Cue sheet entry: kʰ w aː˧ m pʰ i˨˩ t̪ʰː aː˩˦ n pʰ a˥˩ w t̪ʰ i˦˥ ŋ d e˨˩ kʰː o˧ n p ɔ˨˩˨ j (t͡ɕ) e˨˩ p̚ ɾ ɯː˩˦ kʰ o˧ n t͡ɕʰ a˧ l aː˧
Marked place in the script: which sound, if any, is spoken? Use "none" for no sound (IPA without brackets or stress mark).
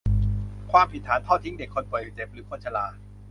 t͡ɕ